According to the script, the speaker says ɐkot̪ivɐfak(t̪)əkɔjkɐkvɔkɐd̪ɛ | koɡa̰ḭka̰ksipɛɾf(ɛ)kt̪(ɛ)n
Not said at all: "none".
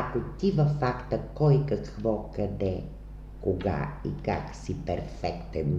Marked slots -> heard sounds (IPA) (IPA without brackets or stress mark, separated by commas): t̪, ɛ, ɛ